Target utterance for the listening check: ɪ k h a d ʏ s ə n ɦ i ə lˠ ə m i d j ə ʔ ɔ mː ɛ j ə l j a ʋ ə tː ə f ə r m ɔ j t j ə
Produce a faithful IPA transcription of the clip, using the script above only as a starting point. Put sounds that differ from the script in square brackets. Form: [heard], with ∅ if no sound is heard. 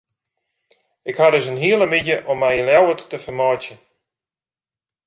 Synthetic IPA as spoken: ɪ k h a d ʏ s ə n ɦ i ə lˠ ə m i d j ə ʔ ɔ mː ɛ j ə l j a [w] ə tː ə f ə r m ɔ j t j ə